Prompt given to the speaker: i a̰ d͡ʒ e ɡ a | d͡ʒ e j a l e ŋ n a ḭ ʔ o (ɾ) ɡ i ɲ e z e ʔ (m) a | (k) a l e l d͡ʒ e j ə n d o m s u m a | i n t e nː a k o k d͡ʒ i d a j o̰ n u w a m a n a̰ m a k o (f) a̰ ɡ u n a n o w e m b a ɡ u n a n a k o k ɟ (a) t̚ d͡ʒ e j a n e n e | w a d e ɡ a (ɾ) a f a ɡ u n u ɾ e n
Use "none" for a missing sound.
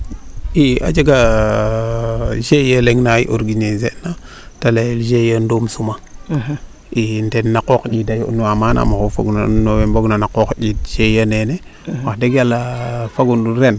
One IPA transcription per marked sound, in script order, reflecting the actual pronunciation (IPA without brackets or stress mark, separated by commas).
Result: ɾ, n, t, f, i, l